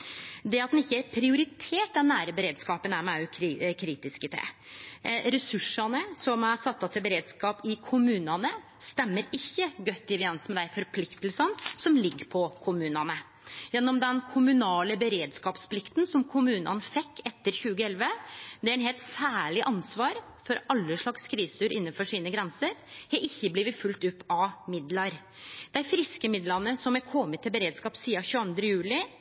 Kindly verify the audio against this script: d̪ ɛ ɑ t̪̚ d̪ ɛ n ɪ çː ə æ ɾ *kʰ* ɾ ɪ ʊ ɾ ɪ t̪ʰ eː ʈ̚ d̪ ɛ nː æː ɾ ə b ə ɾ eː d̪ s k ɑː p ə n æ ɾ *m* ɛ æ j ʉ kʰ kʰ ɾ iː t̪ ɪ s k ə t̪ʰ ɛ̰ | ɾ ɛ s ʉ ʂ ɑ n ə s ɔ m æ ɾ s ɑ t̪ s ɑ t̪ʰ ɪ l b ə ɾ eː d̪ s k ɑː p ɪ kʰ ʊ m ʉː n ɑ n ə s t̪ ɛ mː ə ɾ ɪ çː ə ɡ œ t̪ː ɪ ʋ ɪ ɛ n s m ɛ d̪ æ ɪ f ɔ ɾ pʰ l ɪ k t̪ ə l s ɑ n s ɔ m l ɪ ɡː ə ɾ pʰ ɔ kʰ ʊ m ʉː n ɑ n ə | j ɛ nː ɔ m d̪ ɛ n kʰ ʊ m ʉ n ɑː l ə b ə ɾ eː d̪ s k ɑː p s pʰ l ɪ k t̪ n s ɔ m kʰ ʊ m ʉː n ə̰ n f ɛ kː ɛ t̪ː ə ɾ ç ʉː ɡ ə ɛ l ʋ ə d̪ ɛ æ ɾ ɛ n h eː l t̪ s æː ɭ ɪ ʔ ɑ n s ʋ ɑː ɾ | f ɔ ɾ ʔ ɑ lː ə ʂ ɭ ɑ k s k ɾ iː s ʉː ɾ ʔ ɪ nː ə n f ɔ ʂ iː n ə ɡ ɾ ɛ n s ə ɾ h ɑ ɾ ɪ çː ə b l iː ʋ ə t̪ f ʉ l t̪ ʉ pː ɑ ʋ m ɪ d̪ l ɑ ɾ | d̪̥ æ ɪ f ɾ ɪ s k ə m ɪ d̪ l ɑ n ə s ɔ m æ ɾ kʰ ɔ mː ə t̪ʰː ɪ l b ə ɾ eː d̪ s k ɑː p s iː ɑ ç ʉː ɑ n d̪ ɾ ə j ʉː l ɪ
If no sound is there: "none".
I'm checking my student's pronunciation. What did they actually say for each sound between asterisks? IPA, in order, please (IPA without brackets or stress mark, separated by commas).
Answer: pʰ, m